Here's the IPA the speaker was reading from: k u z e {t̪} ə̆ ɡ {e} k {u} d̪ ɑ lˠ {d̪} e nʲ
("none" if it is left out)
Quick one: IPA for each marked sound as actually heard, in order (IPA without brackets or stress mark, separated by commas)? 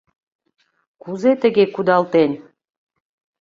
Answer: t̪, e, u, t̪